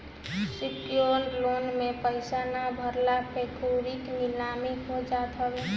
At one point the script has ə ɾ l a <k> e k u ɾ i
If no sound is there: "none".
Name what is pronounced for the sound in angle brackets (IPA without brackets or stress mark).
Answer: p